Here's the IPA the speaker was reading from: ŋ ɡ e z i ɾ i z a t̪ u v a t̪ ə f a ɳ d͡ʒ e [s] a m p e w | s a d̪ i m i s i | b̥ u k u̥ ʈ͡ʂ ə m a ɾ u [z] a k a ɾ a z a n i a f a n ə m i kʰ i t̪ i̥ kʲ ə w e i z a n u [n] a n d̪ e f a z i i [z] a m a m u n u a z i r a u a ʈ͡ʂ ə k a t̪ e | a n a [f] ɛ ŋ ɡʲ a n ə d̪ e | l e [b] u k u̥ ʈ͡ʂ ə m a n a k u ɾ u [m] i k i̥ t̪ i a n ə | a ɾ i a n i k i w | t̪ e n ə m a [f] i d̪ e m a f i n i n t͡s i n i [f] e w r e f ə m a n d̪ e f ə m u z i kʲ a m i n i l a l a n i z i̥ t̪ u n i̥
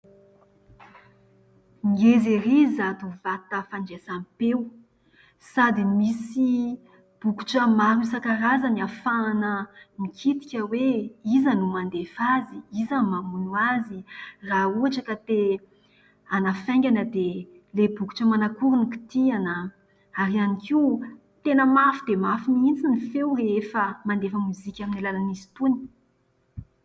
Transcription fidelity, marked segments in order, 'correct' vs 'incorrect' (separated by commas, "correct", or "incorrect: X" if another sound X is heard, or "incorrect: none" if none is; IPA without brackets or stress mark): correct, incorrect: s, incorrect: m, correct, correct, correct, incorrect: n, correct, correct